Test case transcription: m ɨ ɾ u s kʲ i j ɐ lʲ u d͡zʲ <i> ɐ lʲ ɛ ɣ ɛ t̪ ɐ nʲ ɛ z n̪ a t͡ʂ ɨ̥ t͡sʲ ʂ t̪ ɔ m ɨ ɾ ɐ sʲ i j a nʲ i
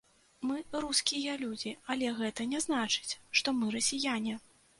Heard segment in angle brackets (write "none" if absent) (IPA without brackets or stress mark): i